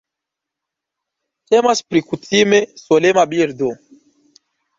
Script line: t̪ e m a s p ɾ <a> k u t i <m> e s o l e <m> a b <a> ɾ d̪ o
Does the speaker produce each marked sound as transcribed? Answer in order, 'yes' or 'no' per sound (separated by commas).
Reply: no, yes, yes, no